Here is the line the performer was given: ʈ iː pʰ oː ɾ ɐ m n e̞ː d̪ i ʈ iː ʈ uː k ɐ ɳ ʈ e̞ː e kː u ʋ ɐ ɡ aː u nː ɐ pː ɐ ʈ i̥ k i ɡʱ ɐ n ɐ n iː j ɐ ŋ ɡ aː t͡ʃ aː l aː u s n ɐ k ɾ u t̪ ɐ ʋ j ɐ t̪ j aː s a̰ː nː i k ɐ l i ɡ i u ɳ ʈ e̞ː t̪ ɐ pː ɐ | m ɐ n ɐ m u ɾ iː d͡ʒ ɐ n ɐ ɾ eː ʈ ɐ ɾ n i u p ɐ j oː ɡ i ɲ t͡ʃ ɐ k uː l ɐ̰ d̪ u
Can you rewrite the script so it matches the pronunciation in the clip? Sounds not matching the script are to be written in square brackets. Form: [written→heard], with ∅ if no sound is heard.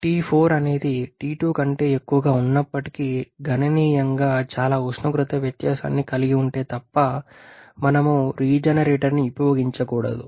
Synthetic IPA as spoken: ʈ iː pʰ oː ɾ ɐ [m→∅] n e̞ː d̪ i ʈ iː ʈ uː k ɐ ɳ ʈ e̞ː e kː u ʋ ɐ ɡ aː u nː ɐ pː ɐ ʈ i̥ k i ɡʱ ɐ n ɐ n iː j ɐ ŋ ɡ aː t͡ʃ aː l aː u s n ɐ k ɾ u t̪ ɐ ʋ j ɐ t̪ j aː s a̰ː nː i k ɐ l i ɡ i u ɳ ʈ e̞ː t̪ ɐ pː ɐ | m ɐ n ɐ m u ɾ iː d͡ʒ ɐ n ɐ ɾ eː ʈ ɐ ɾ n i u p ɐ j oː ɡ i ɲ t͡ʃ ɐ k uː [l→ɽ] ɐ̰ d̪ u